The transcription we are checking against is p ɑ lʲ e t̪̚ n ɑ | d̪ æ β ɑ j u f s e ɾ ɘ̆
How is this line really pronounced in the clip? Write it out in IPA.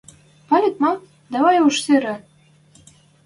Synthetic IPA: p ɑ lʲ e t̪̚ m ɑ | d̪ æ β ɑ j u ʃ s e ɾ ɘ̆